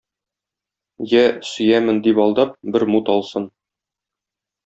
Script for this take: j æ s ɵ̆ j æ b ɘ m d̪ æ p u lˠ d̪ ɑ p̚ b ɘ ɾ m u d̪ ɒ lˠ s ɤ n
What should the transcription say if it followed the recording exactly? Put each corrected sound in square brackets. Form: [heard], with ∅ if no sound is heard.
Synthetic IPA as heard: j æ s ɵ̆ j æ [m] ɘ [n] d̪ [i] p [ɒ] lˠ d̪ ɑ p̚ b ɘ ɾ m u [t̪] ɒ lˠ s ɤ n

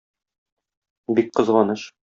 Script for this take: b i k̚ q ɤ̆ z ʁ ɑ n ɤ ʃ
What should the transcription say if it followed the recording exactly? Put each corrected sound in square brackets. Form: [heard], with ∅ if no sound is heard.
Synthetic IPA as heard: b i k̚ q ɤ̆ z ʁ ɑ n ɤ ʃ

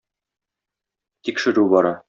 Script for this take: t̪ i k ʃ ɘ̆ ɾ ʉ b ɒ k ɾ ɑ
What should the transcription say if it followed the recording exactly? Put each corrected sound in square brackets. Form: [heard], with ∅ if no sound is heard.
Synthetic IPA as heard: t̪ i k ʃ ɘ̆ ɾ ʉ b ɒ [∅] ɾ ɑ

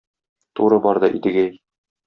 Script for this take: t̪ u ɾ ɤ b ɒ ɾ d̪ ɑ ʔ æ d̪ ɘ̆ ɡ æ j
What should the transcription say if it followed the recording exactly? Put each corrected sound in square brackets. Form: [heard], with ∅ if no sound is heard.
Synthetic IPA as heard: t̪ u ɾ ɤ b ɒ ɾ d̪ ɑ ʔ [i] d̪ ɘ̆ ɡ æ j

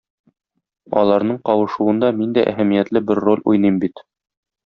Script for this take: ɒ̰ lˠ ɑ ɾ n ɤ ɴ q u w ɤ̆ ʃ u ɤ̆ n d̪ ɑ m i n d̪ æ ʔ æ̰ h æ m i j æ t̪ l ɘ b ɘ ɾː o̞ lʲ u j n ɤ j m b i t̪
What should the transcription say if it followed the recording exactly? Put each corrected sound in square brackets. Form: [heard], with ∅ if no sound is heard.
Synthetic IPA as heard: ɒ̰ lˠ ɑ ɾ n ɤ ɴ q [ɒ] w ɤ̆ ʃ u ɤ̆ n d̪ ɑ m i n d̪ æ ʔ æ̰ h æ m i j æ t̪ l ɘ b ɘ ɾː o̞ lʲ u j n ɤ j m b i t̪

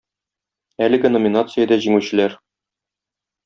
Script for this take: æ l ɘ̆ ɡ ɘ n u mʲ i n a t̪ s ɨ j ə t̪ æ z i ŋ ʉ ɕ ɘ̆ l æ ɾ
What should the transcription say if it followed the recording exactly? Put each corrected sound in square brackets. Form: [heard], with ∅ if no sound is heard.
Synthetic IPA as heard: æ l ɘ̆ ɡ ɘ n [o] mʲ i n a t̪ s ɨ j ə [d̪] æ [ʑ] i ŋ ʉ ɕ ɘ̆ l æ ɾ

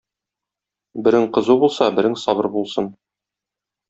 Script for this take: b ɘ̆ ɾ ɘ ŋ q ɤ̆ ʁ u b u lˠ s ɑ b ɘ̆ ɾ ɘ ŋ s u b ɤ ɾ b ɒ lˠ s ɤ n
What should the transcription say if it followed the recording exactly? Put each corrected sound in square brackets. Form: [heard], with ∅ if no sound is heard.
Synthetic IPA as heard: b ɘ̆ ɾ ɘ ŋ q ɤ̆ [z] u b u lˠ s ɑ b ɘ̆ ɾ ɘ ŋ s [ɒ] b ɤ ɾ b [u] lˠ s ɤ n

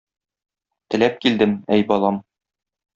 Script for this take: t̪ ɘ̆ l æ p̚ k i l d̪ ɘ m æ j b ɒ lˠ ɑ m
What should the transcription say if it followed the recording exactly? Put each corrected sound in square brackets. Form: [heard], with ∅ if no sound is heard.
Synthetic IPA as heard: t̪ ɘ̆ l æ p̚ k i l d̪ ɘ m æ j b ɒ lˠ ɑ m

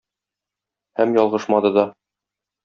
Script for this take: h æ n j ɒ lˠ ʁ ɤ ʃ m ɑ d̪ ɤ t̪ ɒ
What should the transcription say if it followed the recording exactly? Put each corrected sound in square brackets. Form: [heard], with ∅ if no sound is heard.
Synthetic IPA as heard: h æ [m] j ɒ lˠ ʁ ɤ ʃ m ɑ d̪ ɤ [d̪] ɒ

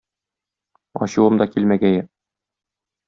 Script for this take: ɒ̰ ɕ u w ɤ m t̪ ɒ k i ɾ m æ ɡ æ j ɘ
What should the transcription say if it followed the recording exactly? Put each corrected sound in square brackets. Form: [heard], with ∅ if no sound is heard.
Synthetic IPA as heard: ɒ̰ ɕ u w ɤ m [d̪] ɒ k i [l] m æ ɡ æ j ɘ

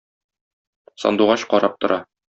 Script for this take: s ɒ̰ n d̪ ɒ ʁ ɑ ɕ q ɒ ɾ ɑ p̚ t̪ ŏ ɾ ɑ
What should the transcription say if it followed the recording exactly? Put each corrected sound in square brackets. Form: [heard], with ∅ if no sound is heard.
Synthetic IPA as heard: s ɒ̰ n d̪ [u] ʁ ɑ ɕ q ɒ ɾ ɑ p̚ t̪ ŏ ɾ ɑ

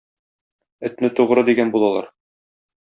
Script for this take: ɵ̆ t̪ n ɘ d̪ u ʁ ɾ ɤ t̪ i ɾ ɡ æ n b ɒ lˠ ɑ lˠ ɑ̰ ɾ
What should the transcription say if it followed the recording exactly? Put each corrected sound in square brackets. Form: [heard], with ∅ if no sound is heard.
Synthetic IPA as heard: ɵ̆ t̪ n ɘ [t̪] u ʁ ɾ ɤ [d̪] i [∅] ɡ æ n b [u] lˠ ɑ lˠ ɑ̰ ɾ

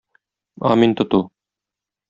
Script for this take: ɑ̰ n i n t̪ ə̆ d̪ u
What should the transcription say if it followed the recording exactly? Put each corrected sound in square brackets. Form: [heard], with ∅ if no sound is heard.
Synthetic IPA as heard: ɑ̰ [m] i n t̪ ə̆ [t̪] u

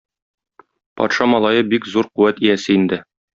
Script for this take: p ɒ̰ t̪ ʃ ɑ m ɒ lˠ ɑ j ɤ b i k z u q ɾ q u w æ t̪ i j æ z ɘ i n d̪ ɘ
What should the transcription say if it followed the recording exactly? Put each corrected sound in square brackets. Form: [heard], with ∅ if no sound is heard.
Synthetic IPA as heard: p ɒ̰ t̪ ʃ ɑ m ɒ lˠ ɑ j ɤ b i k z u [∅] ɾ q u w æ t̪ i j æ [s] ɘ i n d̪ ɘ

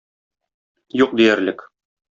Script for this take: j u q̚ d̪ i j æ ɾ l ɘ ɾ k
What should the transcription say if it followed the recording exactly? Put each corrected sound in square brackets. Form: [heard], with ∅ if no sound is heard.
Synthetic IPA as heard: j u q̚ d̪ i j æ ɾ l ɘ [∅] k

